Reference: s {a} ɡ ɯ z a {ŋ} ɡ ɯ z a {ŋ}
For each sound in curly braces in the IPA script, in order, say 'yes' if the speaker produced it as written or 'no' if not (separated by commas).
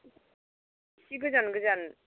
no, no, no